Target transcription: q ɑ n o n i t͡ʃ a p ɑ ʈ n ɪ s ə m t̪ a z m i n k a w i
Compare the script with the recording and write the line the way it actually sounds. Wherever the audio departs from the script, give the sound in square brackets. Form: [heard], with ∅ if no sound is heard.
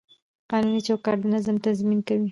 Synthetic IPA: q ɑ n [u] n i t͡ʃ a [k] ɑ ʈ n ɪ [z] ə m t̪ a z m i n k a w i